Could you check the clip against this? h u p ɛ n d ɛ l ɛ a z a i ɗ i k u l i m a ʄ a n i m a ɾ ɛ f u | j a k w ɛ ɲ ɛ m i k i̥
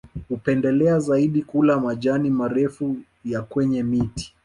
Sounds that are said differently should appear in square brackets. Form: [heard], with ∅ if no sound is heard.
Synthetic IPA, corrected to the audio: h u p ɛ n d ɛ l ɛ a z a i ɗ i k u l [a] m a ʄ a n i m a ɾ ɛ f u | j a k w ɛ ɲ ɛ m i [t] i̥